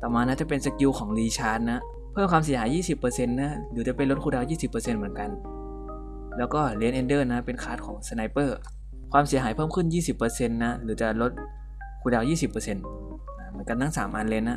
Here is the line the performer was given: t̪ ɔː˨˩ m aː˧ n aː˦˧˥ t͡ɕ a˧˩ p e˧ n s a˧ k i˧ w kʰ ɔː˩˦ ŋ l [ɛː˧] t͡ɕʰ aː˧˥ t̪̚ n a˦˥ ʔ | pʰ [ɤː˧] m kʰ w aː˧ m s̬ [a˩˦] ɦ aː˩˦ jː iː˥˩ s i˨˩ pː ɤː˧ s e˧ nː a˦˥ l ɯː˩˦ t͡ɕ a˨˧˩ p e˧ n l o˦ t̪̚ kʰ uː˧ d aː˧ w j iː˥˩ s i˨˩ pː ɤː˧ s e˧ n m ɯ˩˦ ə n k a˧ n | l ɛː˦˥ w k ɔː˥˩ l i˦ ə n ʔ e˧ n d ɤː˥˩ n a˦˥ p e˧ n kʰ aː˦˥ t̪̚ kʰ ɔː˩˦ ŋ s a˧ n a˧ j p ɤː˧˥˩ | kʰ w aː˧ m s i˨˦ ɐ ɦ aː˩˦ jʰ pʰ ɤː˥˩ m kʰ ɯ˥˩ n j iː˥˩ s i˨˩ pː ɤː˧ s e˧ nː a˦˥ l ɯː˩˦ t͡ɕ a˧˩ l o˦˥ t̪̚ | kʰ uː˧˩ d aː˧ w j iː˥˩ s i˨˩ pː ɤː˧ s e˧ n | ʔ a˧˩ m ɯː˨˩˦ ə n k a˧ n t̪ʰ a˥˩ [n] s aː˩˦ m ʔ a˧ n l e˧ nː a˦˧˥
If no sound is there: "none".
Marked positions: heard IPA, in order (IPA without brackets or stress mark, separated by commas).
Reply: iː˧, ɤː˥˩, i˩˦, ŋ